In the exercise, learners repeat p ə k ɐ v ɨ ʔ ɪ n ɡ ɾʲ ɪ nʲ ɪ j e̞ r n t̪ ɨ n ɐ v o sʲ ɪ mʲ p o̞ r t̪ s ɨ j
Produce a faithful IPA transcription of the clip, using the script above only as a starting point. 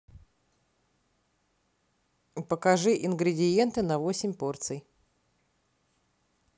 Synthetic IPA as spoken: p ə k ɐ ʐ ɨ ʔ ɪ n ɡ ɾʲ ɪ dʲ ɪ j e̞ n t̪ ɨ n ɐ v o sʲ ɪ mʲ p o̞ r t̪ s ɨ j

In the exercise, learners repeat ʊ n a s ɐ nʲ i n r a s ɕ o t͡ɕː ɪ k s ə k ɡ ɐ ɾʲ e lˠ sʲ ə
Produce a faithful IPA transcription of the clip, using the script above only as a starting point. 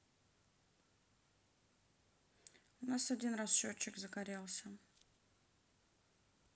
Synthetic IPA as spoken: ʊ n a s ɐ dʲ i n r a s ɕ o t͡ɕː ɪ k z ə ɡ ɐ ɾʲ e lˠ sʲ ə

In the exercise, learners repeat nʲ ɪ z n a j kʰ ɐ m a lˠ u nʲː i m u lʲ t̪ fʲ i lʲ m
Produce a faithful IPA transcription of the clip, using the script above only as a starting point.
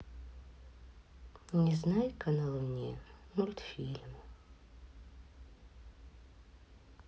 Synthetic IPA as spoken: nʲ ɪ z n a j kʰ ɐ n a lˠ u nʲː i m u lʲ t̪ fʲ i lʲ m

